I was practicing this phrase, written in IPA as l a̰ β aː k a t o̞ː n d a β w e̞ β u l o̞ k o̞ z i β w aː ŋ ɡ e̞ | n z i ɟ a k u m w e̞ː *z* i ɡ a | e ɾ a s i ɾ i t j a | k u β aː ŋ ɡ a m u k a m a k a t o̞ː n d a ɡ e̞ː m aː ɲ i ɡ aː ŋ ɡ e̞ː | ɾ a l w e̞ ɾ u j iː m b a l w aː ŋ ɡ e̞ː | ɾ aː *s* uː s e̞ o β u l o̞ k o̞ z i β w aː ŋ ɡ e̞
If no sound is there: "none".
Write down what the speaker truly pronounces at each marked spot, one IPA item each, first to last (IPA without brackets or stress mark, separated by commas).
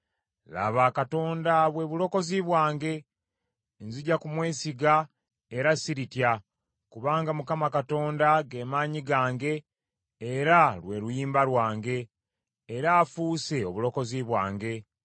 s, f